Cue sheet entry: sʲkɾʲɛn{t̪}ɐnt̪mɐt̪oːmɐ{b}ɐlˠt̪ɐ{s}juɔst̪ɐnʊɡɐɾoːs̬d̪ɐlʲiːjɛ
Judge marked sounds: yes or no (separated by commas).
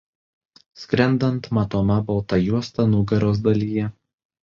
no, yes, no